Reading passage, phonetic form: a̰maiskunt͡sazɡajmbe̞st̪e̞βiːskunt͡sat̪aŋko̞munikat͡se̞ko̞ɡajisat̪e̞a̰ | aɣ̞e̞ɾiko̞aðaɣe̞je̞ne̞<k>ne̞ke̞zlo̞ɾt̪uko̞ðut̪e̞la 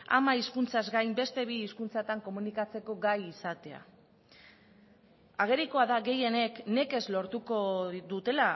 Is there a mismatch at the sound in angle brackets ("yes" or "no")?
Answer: no